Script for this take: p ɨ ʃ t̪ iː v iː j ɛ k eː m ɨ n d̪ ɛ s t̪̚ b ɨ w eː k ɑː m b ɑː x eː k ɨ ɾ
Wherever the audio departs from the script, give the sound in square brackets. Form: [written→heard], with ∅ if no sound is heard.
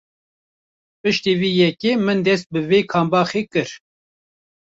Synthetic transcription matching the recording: p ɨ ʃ t̪ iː v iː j ɛ k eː m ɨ n d̪ ɛ s t̪̚ b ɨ [w→v] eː [k→kʰ] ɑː m b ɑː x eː k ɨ ɾ